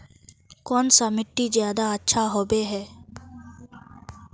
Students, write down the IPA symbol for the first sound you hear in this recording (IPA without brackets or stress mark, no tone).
k